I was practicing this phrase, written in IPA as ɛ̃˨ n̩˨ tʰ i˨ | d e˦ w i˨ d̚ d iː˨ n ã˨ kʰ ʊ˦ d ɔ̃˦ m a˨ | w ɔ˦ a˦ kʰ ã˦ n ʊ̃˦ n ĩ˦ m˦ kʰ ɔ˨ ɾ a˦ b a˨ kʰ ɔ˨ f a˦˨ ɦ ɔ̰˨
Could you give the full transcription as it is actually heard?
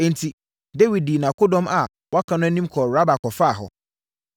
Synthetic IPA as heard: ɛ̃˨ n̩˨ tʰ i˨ | d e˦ w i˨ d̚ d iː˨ n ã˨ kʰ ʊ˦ d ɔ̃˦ m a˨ | w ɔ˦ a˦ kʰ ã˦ n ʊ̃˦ n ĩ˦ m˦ kʰ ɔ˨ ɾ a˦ b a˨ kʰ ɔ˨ f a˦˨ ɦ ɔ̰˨